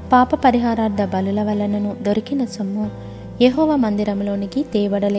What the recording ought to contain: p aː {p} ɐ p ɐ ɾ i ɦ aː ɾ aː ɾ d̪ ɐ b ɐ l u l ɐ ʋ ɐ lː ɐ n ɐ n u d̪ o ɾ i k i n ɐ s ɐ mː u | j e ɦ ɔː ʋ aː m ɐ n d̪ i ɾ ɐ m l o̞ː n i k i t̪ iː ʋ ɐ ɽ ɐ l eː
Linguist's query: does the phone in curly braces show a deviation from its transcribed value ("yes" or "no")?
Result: no